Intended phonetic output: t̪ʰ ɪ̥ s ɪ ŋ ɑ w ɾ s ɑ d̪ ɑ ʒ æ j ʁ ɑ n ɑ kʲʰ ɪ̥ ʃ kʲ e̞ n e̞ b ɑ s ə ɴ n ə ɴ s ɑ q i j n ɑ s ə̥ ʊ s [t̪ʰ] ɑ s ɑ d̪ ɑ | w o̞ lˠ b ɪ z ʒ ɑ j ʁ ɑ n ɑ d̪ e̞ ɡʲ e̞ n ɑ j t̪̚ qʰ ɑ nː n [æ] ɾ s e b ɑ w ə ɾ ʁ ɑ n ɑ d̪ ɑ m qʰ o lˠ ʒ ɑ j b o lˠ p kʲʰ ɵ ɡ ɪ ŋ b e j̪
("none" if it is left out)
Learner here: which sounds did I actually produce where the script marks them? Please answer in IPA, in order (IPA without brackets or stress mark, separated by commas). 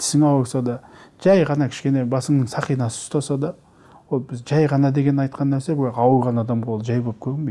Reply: t̪, æ